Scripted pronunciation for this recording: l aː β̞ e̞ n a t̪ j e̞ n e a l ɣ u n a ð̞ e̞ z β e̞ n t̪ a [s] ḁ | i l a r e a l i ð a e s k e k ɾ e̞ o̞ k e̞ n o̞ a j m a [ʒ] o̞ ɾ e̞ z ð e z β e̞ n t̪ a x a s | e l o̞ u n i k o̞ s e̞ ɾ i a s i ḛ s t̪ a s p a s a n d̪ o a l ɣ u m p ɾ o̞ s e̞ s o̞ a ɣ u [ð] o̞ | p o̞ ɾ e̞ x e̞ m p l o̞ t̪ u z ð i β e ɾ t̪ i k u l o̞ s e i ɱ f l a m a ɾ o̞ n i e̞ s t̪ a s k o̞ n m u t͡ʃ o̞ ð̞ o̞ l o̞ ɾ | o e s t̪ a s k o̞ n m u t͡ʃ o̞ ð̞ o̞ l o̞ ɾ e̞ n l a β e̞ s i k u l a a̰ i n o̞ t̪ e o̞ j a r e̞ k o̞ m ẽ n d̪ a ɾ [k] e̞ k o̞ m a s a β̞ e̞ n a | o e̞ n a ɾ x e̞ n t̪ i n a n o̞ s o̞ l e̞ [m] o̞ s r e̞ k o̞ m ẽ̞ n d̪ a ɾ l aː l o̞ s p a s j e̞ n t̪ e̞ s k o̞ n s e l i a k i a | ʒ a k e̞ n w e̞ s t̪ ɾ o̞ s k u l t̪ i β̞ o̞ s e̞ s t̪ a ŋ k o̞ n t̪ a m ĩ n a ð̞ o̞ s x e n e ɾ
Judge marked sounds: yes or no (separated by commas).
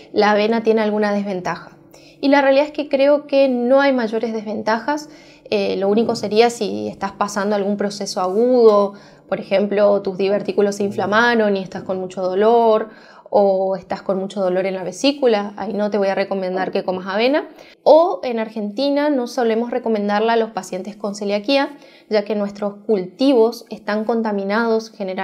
no, yes, yes, yes, yes